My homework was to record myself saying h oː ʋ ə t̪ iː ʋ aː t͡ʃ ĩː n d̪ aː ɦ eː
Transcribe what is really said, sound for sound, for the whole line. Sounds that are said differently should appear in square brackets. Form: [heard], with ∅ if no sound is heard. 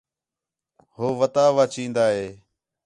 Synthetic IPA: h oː ʋ ə t̪ [aː] ʋ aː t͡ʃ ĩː n d̪ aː ɦ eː

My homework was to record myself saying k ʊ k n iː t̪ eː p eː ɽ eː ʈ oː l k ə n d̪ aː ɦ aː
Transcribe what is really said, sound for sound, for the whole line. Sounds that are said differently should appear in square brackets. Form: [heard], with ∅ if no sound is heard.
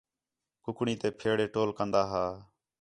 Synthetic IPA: k ʊ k [ɳ] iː t̪ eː [pʰ] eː ɽ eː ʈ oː l k ə n d̪ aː ɦ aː

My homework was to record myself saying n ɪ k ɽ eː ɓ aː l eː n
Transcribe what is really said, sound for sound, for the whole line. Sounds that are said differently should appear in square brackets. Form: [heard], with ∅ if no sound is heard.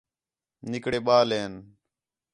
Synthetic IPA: n ɪ k ɽ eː ɓ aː l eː n

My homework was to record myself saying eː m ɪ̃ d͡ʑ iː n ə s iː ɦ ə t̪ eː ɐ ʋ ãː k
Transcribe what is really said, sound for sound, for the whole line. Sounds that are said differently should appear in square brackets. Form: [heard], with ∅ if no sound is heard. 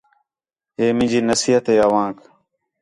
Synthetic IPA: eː m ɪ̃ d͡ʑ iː n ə s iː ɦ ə t̪ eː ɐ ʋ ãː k

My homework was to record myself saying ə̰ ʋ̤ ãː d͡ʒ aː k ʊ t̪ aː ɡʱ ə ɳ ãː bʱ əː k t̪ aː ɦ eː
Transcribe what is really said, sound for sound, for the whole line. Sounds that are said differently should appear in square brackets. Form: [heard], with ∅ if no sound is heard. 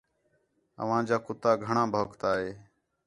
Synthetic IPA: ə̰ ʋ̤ ãː d͡ʒ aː k ʊ t̪ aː ɡʱ ə ɳ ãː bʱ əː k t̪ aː ɦ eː

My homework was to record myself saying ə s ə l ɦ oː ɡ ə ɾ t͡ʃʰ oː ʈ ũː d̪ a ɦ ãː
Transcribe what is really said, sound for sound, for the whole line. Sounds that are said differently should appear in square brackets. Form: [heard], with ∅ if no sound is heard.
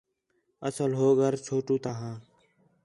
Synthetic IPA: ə s ə l ɦ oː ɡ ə ɾ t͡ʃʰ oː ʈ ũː [t̪] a ɦ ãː

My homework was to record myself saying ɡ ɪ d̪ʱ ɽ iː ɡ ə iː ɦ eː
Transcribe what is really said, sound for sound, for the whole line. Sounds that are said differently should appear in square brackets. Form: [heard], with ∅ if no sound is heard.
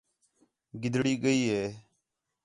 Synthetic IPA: ɡ ɪ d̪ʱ ɽ iː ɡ ə iː ɦ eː

